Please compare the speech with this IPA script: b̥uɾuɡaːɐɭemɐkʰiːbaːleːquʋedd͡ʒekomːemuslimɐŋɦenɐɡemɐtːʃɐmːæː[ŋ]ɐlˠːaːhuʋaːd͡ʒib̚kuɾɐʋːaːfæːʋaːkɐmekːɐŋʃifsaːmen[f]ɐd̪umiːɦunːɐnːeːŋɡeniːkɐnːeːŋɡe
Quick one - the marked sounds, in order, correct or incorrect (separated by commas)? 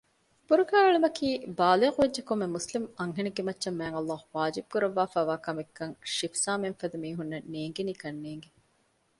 correct, correct